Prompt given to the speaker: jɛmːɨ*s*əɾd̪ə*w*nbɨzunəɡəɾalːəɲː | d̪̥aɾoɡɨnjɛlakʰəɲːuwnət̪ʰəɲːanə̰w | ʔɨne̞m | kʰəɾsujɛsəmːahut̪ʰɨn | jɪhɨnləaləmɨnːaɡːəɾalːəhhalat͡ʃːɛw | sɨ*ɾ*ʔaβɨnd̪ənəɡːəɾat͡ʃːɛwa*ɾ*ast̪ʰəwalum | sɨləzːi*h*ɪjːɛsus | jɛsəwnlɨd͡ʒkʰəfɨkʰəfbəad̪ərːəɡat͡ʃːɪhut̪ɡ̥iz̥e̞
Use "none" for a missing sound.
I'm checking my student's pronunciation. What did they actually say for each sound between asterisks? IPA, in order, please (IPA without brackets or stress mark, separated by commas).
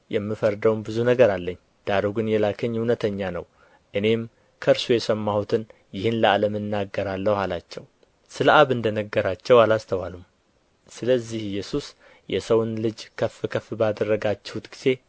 f, w, l, l, h